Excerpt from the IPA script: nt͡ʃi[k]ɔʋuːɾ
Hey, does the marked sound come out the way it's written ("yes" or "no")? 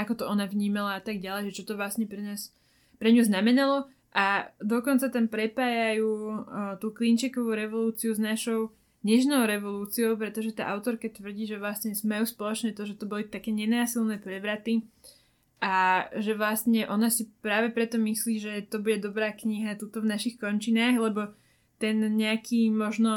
yes